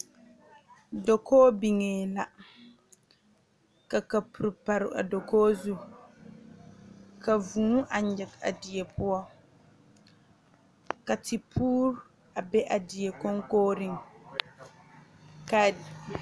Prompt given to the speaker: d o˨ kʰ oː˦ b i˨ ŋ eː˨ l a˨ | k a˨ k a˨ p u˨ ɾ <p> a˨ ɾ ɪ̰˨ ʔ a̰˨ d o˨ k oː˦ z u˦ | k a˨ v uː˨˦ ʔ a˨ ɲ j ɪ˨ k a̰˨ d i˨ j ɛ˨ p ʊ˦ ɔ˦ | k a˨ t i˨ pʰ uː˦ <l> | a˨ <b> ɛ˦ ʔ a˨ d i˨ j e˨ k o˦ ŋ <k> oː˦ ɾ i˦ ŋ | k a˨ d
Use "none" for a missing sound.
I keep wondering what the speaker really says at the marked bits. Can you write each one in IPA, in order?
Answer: p, ɾ, b, k

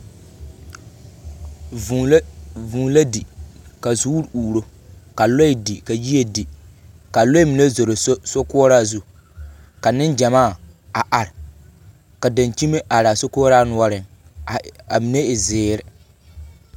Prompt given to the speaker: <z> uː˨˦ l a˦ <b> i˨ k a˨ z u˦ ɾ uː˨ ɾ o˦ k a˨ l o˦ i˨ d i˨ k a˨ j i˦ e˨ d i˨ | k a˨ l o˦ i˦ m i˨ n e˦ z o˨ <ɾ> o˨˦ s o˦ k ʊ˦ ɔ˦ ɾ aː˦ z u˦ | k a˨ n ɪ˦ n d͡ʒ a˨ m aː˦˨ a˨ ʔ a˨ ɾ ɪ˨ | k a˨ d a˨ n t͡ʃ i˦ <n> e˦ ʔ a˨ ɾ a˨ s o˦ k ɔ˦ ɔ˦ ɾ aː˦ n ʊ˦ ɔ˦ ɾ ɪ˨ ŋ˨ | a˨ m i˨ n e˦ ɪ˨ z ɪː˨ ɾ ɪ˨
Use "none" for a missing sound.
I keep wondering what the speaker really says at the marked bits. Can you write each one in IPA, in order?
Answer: v, d, ɾ, m

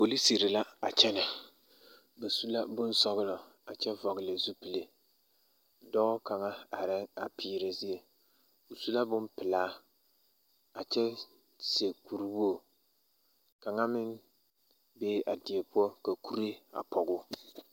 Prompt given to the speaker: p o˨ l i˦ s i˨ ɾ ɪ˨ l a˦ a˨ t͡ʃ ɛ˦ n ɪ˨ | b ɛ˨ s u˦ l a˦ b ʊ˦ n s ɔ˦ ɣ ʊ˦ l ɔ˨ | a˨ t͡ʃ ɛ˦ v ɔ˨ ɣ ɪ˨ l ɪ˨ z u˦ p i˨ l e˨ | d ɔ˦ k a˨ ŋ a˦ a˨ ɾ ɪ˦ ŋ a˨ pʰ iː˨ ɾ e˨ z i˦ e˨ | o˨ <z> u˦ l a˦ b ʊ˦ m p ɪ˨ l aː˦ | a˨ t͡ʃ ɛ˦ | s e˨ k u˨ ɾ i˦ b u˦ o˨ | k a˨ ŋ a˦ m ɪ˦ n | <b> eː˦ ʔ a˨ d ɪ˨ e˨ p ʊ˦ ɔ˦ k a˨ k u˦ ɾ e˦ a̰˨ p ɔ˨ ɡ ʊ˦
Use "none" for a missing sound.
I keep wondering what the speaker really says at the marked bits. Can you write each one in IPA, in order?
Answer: s, b

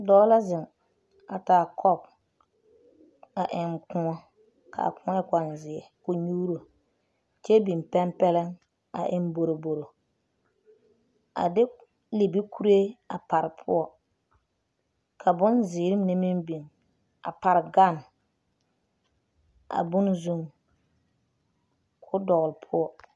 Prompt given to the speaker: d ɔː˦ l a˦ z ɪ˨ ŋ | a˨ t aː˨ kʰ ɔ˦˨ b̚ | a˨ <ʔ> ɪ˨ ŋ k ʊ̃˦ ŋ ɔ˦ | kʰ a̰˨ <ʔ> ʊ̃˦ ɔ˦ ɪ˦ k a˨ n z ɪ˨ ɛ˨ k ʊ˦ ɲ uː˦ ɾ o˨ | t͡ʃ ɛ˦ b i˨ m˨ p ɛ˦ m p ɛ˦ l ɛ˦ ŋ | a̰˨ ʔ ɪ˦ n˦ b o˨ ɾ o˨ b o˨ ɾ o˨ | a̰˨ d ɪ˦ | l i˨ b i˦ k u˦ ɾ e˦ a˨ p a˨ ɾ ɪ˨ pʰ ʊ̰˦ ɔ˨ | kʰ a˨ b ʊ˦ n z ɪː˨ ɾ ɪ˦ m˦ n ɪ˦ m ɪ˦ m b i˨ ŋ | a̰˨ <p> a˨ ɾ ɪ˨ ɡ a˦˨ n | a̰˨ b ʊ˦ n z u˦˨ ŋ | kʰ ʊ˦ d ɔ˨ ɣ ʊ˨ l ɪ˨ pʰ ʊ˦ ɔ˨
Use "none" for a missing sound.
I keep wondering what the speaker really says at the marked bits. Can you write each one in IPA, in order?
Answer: ʔ, k, p

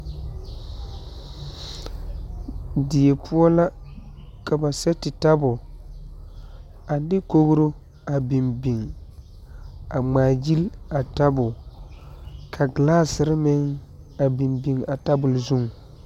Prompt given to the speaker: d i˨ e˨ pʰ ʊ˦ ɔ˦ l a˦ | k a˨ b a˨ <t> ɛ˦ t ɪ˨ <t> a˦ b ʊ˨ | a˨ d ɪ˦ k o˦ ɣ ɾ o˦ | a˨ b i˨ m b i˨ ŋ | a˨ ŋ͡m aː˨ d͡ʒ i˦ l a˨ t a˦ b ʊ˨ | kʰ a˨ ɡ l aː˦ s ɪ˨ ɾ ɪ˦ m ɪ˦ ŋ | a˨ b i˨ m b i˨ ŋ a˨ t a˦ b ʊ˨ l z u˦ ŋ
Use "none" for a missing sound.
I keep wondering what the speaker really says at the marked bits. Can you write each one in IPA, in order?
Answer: s, t

